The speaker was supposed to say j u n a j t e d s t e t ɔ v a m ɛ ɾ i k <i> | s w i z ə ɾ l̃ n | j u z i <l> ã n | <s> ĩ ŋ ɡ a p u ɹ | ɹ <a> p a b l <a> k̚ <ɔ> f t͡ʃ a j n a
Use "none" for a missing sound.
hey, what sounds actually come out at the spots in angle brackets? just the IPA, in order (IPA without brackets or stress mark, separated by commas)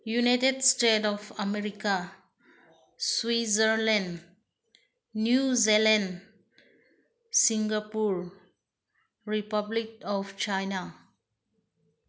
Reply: a, l, s, i, i, ɔ